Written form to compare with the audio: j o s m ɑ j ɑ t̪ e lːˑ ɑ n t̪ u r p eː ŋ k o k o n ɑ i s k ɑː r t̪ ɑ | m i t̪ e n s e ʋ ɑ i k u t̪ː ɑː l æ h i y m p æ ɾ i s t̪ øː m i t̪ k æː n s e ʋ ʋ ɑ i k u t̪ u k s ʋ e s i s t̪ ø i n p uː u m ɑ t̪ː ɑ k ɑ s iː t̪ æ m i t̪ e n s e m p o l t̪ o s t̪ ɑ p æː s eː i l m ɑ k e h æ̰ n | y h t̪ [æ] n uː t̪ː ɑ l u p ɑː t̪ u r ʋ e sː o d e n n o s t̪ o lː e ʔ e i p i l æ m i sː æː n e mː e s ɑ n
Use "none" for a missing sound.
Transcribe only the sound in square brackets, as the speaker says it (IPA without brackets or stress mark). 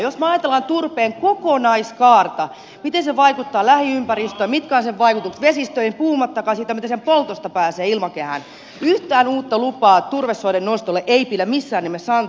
æː